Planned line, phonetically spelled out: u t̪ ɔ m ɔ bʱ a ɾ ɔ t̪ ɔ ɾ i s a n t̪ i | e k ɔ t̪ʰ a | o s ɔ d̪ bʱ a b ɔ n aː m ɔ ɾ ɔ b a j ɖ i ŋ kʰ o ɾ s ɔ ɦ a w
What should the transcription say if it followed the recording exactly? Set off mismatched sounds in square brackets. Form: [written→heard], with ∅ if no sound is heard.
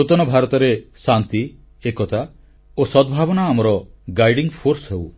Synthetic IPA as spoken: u t̪ ɔ [m→n] ɔ bʱ a ɾ ɔ t̪ ɔ ɾ [i→e] s a n t̪ i | e k ɔ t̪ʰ a | o s ɔ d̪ bʱ a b ɔ n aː m ɔ ɾ ɔ [b→ɡ] a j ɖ i ŋ [kʰ→pʰ] o ɾ s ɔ ɦ [a→e] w